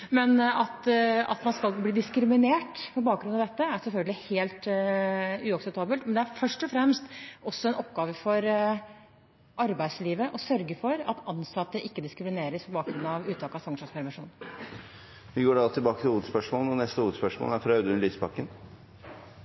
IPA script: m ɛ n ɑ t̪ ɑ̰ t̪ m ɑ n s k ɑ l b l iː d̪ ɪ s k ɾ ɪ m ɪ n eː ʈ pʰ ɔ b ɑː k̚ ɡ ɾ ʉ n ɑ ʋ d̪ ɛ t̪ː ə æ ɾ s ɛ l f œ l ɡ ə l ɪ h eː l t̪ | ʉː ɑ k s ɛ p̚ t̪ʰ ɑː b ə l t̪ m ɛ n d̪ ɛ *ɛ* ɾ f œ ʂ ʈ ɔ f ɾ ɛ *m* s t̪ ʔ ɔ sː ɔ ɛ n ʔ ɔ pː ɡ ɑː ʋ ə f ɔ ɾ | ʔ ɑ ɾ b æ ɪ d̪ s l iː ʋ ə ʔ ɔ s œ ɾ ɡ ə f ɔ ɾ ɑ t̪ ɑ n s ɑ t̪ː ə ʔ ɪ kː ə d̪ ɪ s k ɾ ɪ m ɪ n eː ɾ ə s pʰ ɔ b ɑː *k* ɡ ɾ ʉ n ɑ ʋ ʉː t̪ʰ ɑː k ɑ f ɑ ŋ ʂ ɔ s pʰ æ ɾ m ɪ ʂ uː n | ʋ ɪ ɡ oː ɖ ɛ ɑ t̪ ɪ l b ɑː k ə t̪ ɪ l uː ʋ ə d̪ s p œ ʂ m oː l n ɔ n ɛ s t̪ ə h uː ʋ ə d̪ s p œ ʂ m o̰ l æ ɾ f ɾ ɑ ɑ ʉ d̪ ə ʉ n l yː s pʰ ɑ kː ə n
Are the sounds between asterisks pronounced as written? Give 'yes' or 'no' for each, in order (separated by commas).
no, yes, yes